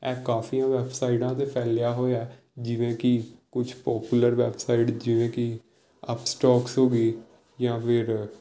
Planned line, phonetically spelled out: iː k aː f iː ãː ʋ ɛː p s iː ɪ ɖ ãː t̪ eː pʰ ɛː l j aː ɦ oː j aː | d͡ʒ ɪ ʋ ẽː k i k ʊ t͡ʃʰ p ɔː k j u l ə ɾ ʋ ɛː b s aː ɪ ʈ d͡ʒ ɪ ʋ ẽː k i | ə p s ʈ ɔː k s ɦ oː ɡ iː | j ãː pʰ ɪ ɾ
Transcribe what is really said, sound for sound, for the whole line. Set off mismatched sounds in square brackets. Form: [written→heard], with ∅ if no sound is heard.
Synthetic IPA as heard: [iː→ɛː] k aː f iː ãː ʋ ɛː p s [iː→aː] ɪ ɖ ãː t̪ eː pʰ ɛː l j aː ɦ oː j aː | d͡ʒ ɪ ʋ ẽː k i k ʊ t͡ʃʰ p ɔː [k→p] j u l ə ɾ ʋ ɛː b s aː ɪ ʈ d͡ʒ ɪ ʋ ẽː k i | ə p s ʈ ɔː k s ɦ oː ɡ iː | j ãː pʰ ɪ ɾ